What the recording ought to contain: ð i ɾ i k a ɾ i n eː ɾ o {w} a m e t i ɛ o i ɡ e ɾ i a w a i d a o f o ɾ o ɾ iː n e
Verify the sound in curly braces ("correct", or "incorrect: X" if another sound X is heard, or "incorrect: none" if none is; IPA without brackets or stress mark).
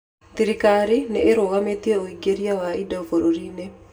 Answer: incorrect: ɣ